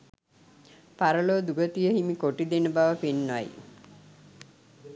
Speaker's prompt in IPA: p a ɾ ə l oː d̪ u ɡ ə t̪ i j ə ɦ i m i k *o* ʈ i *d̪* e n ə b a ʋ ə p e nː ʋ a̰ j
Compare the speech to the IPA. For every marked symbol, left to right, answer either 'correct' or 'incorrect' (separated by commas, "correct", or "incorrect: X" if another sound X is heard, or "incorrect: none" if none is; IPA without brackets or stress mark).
correct, correct